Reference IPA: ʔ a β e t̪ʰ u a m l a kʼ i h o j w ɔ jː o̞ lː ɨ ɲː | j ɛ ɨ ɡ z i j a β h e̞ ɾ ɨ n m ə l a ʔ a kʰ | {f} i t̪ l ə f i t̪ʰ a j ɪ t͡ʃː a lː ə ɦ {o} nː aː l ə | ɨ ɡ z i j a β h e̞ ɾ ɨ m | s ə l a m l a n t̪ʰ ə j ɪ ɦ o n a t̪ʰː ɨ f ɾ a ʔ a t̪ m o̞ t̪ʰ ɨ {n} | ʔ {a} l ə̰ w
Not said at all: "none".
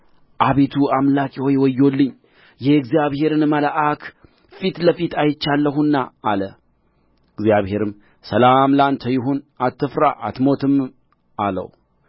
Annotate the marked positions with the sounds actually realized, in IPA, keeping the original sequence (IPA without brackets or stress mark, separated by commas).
f, u, m, a